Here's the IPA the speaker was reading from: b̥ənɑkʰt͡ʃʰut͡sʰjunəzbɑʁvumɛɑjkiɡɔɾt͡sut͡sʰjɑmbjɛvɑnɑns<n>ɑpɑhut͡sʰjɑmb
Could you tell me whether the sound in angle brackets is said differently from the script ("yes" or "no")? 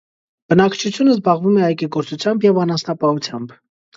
no